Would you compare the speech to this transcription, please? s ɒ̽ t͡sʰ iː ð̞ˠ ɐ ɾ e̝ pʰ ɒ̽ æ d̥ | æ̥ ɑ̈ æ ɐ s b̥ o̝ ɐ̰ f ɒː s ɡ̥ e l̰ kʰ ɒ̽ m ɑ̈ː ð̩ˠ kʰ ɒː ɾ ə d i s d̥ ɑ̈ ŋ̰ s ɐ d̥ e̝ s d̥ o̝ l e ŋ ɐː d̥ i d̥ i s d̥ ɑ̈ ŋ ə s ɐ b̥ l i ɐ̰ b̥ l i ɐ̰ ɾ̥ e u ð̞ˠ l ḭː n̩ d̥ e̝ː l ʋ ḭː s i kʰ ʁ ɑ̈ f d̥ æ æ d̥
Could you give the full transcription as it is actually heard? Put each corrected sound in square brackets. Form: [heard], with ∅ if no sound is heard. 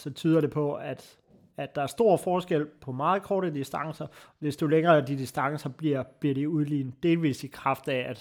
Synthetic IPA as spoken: s ɒ̽ t͡sʰ [yː] ð̞ˠ ɐ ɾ e̝ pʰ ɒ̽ æ d̥ | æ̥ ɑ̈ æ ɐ s [d̥] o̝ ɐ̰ f ɒː s ɡ̥ e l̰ [pʰ] ɒ̽ m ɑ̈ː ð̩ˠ kʰ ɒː ɾ ə d i s d̥ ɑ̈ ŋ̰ s ɐ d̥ e̝ s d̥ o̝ l e ŋ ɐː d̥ i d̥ i s d̥ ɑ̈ ŋ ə s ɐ b̥ l i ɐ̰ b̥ l i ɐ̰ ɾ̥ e u ð̞ˠ l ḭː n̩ d̥ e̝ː l ʋ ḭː s i kʰ ʁ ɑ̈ f d̥ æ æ d̥